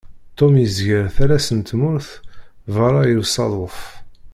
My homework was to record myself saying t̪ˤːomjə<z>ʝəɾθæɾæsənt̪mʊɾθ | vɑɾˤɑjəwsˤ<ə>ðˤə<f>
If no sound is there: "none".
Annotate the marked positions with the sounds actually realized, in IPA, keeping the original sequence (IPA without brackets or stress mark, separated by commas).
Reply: z, ɑ, f